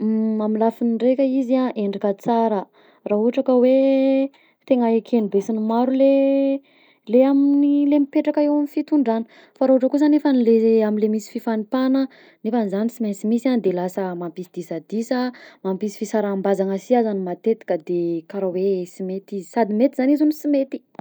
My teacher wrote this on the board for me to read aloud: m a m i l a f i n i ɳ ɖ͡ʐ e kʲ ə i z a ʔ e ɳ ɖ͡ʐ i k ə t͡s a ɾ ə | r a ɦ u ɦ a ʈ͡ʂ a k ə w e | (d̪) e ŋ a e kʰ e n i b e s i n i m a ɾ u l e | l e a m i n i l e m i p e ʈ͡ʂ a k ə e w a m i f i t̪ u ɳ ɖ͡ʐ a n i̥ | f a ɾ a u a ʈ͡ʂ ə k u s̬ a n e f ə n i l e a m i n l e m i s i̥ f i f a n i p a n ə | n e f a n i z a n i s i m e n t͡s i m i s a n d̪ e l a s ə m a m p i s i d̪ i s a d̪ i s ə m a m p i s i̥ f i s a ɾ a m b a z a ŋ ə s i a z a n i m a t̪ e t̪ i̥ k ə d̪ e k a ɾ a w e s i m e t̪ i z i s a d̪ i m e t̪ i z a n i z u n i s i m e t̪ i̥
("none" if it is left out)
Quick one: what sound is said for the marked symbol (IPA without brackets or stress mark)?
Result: t̪